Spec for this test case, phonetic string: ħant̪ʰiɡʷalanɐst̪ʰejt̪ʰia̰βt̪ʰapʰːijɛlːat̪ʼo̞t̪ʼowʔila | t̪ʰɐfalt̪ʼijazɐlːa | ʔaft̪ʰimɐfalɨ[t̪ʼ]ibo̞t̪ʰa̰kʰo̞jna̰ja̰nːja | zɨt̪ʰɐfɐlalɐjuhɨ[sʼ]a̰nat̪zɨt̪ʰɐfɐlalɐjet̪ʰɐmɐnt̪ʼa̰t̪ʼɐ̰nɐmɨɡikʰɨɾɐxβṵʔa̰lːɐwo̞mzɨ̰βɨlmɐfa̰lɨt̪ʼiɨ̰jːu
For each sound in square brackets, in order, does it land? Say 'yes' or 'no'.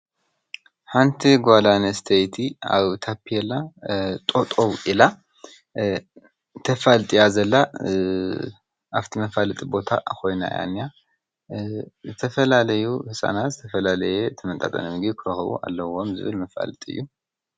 yes, yes

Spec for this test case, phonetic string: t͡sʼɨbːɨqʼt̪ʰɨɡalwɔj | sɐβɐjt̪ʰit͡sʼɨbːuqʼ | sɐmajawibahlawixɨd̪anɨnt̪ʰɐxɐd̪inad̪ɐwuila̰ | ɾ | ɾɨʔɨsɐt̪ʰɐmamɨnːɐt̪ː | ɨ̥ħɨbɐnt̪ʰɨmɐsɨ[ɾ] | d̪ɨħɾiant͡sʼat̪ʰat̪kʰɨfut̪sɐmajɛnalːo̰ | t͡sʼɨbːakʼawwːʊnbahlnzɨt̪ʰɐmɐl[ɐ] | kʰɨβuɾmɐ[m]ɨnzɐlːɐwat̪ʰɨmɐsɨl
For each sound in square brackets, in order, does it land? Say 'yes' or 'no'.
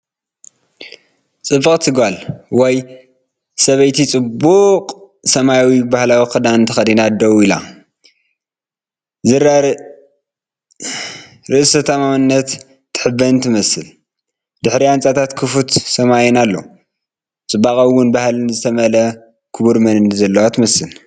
no, yes, no

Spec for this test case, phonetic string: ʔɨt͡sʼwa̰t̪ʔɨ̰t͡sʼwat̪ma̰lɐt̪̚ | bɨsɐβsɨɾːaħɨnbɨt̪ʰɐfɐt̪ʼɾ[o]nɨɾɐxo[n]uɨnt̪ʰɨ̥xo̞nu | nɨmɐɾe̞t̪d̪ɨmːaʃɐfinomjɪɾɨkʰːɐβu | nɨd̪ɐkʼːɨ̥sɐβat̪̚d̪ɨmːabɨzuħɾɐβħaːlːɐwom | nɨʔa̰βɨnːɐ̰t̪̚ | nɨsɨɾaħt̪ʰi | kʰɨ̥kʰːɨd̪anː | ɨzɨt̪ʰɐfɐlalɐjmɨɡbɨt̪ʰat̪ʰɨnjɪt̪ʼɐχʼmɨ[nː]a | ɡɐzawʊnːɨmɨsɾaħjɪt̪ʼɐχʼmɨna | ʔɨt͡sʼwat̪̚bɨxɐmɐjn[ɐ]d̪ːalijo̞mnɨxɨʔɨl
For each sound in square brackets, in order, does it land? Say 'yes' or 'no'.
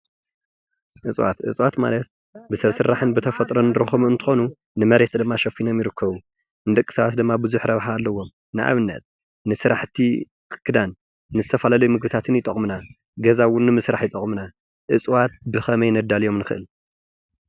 yes, no, no, yes

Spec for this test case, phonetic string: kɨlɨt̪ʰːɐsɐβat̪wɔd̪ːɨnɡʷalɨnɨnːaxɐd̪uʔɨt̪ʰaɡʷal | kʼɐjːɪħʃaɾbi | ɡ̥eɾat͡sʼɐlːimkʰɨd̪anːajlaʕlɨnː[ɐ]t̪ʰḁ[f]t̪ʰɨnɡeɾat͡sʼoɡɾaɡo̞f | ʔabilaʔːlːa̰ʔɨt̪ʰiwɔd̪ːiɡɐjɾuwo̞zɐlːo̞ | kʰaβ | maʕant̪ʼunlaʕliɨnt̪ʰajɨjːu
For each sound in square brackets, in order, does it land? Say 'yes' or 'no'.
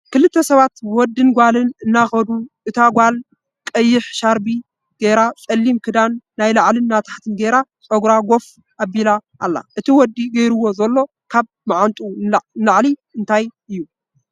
no, no

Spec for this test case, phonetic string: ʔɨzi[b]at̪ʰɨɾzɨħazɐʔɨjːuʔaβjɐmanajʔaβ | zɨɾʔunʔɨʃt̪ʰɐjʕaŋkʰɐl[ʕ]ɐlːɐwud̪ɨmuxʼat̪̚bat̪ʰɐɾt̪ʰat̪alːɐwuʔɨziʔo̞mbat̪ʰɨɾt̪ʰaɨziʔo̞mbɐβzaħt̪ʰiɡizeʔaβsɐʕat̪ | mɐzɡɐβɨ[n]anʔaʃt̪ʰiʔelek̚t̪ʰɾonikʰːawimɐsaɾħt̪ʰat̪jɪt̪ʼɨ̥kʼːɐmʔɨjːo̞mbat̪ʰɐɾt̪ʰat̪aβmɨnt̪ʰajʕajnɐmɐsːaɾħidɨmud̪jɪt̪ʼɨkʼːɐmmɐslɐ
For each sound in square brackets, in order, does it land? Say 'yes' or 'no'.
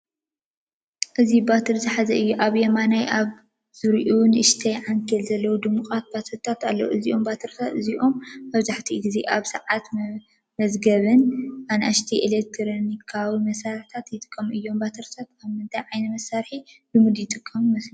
yes, no, yes

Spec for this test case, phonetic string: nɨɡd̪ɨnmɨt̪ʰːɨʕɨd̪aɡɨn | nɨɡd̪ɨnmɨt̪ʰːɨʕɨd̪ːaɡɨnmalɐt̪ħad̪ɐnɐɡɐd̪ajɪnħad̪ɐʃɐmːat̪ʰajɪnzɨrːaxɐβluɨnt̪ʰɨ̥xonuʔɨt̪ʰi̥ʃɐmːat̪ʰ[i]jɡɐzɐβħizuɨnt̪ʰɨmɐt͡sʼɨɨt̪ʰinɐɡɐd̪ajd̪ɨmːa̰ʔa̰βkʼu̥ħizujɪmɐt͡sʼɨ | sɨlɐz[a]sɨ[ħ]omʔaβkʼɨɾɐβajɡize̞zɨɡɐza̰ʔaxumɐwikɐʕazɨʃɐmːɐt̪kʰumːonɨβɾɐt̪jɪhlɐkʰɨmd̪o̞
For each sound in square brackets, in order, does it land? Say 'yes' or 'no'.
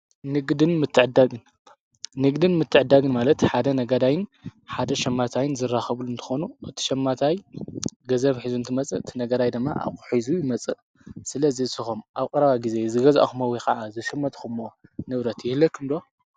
no, no, no

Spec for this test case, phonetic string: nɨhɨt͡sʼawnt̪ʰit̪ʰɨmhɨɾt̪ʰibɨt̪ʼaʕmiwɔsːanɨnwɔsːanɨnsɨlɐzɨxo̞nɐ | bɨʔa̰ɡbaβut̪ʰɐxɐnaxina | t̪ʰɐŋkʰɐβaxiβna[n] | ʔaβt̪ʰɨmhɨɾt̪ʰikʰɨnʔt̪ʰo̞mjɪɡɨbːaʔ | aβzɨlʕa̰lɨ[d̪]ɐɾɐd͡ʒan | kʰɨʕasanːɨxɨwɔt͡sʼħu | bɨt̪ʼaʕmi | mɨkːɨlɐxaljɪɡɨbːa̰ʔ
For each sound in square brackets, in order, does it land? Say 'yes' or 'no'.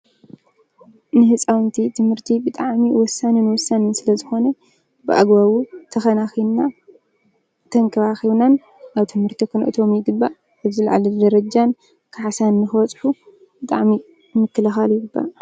yes, yes

